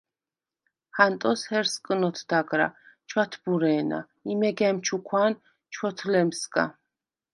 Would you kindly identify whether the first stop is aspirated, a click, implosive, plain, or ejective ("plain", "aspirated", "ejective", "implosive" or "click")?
ejective